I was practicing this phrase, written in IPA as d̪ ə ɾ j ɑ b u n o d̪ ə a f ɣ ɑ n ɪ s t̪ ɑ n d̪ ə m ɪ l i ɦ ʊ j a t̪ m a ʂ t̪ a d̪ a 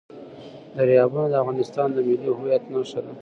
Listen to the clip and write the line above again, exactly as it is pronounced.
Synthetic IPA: d̪ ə ɾ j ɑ b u n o d̪ ə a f ɣ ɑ n ɪ s t̪ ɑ n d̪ ə m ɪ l i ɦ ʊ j a t̪ n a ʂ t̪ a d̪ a